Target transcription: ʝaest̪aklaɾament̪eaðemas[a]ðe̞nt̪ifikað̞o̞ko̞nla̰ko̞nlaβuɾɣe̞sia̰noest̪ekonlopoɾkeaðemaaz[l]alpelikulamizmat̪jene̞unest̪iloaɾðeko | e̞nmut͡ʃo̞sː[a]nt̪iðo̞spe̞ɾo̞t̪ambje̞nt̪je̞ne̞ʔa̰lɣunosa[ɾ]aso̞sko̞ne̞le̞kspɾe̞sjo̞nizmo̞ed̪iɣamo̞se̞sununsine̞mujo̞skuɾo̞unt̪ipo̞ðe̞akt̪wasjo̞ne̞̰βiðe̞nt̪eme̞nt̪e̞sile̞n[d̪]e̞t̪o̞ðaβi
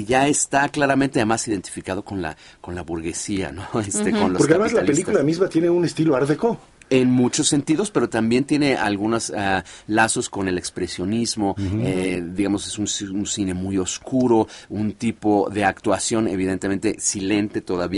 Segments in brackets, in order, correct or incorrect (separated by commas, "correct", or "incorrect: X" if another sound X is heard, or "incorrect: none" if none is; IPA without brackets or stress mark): incorrect: i, correct, incorrect: e, incorrect: l, incorrect: t̪